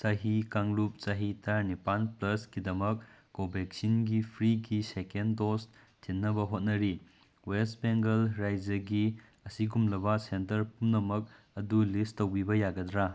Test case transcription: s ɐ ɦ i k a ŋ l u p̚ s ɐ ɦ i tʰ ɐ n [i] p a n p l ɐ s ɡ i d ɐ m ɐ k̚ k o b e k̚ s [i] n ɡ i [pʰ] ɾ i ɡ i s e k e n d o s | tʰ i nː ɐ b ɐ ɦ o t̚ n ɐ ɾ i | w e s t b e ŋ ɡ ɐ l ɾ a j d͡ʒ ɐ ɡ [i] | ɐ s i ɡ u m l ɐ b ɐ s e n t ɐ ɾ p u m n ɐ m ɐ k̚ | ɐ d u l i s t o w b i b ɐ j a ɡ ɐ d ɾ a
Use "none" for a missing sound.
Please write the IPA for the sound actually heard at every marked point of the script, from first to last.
i, i, pʰ, i

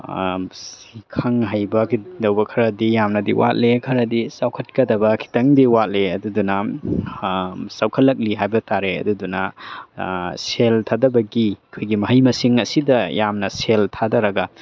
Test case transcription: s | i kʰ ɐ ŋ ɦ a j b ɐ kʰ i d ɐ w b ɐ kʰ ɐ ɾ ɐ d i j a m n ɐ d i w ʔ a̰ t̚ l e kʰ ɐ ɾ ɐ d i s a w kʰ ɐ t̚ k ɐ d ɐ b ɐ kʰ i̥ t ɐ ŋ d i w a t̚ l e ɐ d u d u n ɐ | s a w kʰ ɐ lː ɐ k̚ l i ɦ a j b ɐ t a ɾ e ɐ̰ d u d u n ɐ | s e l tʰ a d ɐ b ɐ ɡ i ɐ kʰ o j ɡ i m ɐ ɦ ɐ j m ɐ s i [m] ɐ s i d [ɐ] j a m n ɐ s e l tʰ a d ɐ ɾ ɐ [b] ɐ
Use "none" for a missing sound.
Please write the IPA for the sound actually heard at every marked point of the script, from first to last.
ŋ, ɐ, ɡ

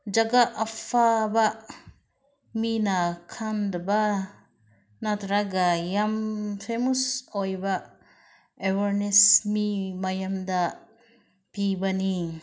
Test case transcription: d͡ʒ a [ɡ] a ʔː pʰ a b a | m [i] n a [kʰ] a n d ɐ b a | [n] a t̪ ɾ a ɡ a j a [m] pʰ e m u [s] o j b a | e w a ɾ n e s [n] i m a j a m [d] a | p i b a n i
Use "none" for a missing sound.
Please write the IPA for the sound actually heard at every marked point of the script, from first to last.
ɡ, i, kʰ, n, m, s, m, d

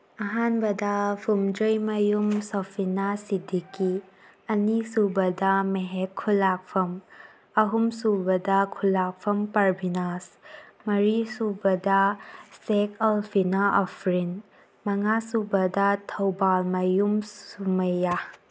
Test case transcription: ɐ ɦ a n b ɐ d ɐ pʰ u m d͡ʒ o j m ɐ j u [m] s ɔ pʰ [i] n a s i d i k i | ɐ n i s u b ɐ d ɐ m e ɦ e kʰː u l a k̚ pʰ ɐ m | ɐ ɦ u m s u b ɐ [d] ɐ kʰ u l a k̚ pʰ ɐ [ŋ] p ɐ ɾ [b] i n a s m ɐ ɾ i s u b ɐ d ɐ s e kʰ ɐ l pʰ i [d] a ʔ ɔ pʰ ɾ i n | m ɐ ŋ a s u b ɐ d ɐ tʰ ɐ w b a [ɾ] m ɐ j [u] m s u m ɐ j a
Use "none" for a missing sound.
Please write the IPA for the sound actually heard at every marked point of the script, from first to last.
m, i, d, m, b, n, l, u

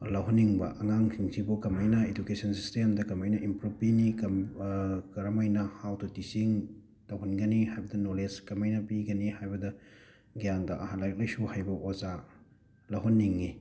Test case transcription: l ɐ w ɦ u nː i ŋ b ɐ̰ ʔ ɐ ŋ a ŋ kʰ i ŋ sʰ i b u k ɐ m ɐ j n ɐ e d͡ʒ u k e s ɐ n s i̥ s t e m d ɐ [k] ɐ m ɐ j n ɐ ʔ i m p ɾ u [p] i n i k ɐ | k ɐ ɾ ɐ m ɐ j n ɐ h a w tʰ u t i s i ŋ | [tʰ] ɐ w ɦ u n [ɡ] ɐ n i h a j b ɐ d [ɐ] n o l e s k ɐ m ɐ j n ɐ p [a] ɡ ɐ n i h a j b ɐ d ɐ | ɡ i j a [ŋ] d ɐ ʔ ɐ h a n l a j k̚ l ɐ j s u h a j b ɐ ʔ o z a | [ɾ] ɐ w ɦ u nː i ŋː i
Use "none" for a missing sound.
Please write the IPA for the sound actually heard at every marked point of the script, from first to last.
k, p, t, ɡ, ɐ, i, ŋ, l

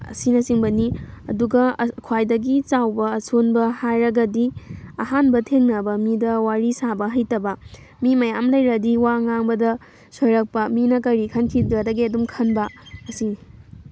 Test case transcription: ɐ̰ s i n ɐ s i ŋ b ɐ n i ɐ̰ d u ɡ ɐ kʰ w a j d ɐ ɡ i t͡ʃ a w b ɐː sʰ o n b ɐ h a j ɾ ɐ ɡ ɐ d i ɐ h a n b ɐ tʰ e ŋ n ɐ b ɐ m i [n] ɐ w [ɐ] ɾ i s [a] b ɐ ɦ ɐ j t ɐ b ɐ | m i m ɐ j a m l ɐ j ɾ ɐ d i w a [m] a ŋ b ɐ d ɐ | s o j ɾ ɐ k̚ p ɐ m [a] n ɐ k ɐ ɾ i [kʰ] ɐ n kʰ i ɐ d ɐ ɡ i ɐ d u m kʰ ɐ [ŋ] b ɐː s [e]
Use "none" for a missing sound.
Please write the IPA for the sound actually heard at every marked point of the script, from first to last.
d, a, a, ŋ, i, kʰ, n, i

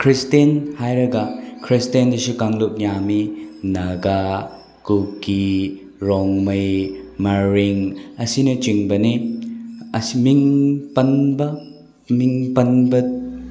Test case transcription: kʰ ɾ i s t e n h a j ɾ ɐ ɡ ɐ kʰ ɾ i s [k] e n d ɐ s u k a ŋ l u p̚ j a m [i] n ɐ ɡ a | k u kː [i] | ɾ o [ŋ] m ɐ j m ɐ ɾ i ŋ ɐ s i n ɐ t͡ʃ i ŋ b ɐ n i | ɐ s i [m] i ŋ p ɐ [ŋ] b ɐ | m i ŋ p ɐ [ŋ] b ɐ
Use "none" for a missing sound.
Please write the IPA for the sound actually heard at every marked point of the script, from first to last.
t, i, i, ŋ, m, n, n

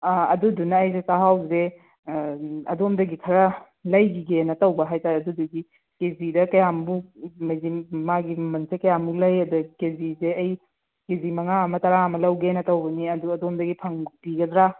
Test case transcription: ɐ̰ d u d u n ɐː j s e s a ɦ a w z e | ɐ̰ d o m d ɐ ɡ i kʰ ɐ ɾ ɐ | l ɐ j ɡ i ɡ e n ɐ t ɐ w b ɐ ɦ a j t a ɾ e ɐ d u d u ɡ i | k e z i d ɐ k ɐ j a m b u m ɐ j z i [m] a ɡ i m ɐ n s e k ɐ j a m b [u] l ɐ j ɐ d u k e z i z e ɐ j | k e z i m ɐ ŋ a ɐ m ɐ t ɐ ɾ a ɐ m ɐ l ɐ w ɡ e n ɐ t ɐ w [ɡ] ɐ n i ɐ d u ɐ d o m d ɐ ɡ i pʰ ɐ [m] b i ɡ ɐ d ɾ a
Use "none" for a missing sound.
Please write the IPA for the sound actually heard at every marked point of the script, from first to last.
m, u, b, ŋ

